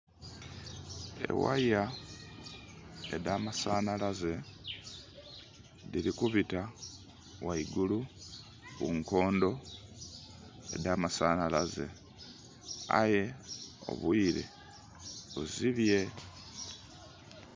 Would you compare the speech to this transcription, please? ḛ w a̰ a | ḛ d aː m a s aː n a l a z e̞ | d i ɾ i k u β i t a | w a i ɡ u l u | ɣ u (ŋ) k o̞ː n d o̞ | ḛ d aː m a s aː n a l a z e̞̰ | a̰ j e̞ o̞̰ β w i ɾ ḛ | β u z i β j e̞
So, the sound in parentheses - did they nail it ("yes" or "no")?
yes